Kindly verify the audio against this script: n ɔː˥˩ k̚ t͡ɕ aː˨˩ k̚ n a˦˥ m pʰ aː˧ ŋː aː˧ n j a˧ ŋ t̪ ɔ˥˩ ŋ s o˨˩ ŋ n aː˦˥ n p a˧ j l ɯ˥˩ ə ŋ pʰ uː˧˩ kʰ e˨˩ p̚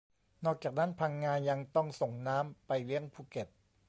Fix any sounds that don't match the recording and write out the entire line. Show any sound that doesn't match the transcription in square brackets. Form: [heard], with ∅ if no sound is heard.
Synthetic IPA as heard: n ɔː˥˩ k̚ t͡ɕ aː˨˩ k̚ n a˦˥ [n] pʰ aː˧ ŋː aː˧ n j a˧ ŋ t̪ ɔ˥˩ ŋ s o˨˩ ŋ n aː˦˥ [m] p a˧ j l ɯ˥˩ ə ŋ pʰ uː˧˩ [k] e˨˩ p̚